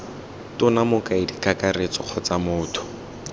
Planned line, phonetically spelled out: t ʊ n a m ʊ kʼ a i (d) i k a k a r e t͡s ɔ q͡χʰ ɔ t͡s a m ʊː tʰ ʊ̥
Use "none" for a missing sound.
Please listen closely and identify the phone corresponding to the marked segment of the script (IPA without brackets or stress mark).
d